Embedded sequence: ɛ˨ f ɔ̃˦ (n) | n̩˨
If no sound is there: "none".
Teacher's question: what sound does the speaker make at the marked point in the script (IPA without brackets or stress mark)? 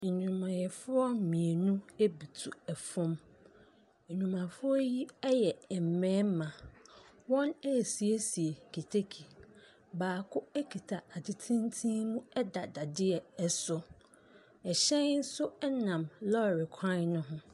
m